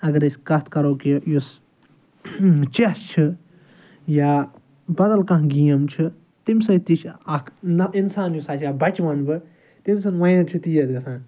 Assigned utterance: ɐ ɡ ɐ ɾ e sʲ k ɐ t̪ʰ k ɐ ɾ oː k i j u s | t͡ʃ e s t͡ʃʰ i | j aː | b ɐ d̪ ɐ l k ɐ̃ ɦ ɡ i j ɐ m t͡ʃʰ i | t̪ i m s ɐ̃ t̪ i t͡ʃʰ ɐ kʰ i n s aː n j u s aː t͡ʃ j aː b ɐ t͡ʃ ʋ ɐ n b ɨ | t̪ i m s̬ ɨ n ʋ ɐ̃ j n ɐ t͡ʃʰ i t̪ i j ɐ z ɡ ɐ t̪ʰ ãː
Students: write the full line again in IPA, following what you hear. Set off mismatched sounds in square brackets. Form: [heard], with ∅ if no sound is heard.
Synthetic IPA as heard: ɐ ɡ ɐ ɾ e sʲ k ɐ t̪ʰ k ɐ ɾ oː k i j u s | t͡ʃ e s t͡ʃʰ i | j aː | b ɐ d̪ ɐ l k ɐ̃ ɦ ɡ i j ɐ m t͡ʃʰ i | t̪ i m s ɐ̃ t̪ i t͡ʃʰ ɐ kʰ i n s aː n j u s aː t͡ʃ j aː b ɐ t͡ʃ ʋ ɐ n b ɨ | t̪ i m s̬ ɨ n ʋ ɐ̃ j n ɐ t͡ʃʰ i t̪ i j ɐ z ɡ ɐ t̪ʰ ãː